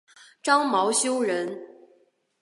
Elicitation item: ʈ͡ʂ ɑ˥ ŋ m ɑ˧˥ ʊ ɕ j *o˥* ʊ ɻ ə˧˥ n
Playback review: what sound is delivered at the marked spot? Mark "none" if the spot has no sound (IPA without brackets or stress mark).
o˥